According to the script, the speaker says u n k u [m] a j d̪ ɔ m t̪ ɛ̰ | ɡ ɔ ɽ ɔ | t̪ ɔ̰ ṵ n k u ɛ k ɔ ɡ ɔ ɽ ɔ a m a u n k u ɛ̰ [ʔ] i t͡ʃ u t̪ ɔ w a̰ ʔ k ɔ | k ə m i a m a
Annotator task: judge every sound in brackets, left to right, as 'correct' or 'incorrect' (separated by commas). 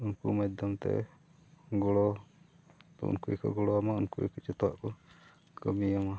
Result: correct, incorrect